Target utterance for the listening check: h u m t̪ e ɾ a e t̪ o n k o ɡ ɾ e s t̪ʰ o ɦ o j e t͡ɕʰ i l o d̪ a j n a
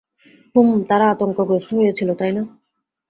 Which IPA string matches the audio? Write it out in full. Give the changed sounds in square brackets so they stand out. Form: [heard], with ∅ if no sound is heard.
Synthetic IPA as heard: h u m t̪ [a] ɾ a [a] t̪ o [ŋ] k o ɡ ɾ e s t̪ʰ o ɦ o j e t͡ɕʰ i l o [t̪] a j n a